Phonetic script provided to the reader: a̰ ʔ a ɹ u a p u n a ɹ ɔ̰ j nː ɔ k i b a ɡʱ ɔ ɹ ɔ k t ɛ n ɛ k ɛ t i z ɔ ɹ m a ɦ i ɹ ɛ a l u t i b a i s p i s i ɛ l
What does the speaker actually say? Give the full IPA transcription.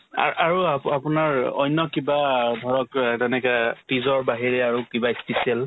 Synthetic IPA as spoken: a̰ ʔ a ɹ u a p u n a ɹ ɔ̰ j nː ɔ k i b a dʱ ɔ ɹ ɔ k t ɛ n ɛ k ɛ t i z ɔ ɹ b a ɦ i ɹ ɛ a ɹ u k i b a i s p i s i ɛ l